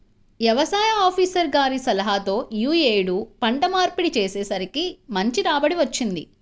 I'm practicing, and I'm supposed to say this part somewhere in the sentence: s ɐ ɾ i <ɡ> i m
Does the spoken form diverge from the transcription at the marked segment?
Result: yes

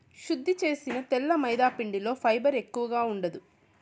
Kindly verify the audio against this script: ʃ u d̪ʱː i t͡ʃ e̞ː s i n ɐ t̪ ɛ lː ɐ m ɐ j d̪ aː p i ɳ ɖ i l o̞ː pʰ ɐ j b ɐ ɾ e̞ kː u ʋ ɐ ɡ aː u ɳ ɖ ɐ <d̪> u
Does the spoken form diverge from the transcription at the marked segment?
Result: no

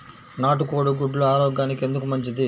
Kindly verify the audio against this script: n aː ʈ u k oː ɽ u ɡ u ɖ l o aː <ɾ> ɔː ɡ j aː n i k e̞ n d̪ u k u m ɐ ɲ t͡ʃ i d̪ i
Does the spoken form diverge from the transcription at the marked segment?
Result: no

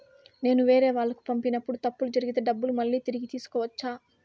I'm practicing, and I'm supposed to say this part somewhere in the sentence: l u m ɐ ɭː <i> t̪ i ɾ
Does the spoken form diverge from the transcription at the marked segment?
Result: yes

